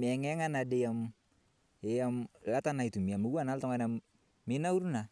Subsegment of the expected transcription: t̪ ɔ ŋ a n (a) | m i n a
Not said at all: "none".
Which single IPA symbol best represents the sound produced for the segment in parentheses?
a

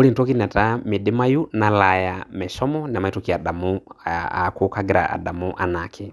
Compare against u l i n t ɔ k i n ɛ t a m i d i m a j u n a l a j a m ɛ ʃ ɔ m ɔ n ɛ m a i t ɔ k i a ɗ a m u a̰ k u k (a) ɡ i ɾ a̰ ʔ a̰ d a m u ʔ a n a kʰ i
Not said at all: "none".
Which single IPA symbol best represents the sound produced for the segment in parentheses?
a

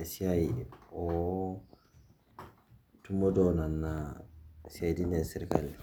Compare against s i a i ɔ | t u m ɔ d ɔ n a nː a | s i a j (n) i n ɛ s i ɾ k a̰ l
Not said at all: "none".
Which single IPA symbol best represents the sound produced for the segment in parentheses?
d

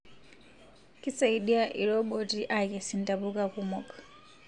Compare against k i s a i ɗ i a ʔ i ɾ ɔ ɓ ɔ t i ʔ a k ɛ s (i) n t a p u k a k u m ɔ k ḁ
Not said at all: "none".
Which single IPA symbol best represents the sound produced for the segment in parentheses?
i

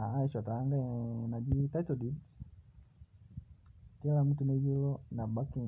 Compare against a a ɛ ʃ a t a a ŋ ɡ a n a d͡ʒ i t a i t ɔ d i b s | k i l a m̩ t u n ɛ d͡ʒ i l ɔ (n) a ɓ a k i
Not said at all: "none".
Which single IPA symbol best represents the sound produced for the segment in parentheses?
n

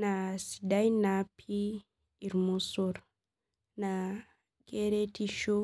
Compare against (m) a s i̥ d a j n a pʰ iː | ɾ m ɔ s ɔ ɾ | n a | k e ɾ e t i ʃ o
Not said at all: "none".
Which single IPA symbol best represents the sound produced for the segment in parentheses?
n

